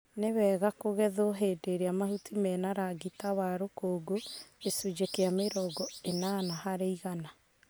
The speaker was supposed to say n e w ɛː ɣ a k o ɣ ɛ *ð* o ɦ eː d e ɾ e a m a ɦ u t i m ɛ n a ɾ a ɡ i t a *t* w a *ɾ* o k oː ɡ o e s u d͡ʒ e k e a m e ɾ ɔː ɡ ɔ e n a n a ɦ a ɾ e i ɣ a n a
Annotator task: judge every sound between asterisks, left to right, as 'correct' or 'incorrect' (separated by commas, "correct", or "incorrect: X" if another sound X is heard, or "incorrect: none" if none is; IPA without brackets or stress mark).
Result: correct, incorrect: none, correct